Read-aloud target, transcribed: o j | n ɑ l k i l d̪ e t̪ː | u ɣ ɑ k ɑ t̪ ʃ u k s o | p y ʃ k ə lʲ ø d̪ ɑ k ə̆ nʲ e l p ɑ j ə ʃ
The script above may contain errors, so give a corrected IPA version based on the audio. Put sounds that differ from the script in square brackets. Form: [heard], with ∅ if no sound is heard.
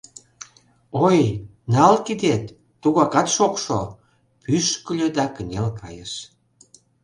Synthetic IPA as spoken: o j | n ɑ l k i [∅] d̪ e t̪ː | u ɣ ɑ k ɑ t̪ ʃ [o] k [ʃ] o | p y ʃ k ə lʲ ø d̪ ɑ k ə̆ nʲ e l [k] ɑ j ə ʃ